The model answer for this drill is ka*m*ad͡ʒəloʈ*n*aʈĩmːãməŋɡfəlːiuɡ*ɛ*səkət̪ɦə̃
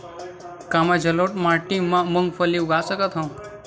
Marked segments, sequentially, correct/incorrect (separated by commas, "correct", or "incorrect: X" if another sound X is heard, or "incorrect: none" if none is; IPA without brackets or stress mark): correct, incorrect: m, incorrect: a